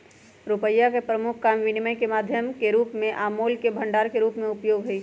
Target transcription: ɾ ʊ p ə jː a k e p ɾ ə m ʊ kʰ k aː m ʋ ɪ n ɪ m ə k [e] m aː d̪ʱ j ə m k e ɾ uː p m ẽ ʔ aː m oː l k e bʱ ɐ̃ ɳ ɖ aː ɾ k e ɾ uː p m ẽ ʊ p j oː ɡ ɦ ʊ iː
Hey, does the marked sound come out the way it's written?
yes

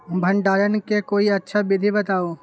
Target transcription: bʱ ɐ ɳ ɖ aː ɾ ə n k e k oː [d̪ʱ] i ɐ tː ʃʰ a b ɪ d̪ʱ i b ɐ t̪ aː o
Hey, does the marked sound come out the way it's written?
no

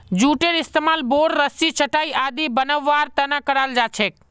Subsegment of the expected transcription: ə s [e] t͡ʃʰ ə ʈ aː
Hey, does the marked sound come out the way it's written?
no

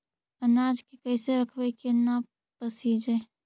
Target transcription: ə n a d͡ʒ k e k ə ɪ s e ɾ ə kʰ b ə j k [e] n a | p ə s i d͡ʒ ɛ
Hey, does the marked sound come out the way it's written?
yes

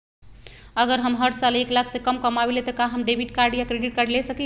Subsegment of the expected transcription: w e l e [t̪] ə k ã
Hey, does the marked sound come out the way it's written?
yes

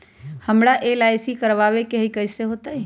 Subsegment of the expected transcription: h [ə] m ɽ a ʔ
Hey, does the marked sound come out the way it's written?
yes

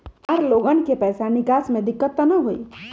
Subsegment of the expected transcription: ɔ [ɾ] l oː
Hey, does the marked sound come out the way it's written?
yes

